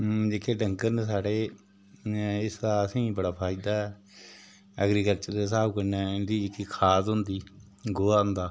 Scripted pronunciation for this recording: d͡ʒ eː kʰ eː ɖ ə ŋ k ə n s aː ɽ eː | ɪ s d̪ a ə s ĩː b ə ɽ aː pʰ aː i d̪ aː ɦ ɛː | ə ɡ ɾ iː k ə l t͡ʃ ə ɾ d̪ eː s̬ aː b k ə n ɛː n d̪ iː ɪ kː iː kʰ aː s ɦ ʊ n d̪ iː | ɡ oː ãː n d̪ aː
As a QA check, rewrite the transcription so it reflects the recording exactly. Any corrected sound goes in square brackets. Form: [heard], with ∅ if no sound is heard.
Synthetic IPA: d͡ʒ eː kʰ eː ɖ ə ŋ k ə n s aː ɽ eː | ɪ s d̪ a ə s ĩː b ə ɽ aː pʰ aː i d̪ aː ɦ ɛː | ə ɡ ɾ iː k ə l t͡ʃ ə ɾ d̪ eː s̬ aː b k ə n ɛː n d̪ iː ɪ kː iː kʰ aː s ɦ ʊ n d̪ iː | ɡ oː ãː n d̪ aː